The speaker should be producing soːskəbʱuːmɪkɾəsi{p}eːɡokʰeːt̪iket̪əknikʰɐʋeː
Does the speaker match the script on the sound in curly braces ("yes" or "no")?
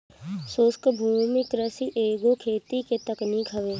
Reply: no